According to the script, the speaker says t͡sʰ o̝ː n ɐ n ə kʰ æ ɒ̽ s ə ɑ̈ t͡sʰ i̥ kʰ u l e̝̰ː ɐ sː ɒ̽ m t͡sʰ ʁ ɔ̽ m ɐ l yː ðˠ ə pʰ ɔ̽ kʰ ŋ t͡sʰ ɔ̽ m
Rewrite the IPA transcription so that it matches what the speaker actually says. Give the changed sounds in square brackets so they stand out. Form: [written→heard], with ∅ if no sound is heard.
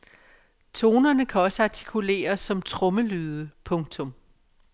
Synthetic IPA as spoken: t͡sʰ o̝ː n ɐ n ə kʰ æ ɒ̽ s ə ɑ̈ t͡sʰ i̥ kʰ u l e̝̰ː ɐ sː ɒ̽ m t͡sʰ ʁ ɔ̽ m [ɐ→ə] l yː ðˠ ə pʰ ɔ̽ [kʰ→∅] ŋ t͡sʰ ɔ̽ m